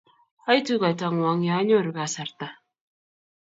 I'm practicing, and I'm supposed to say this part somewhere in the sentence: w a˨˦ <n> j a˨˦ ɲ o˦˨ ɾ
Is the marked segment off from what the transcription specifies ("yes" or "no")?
yes